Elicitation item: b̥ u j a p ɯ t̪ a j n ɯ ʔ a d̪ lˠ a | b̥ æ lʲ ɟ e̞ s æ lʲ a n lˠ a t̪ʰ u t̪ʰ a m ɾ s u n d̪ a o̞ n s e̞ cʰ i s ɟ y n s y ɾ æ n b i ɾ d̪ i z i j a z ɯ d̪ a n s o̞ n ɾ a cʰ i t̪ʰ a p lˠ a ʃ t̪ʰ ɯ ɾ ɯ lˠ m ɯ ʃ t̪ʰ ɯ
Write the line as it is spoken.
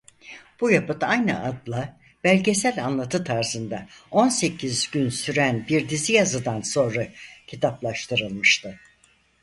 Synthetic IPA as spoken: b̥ u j a p ɯ t̪ a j n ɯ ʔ a d̪ lˠ a | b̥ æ lʲ ɟ e̞ s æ lʲ a n lˠ a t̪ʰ ɯ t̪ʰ a ɾ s ɯ n d̪ a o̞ n s e̞ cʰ i z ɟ y n s y ɾ æ n b i ɾ d̪ i z i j a z ɯ d̪ a n s o̞ n ɾ a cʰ i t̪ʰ a p lˠ a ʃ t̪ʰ ɯ ɾ ɯ lˠ m ɯ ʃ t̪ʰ ɯ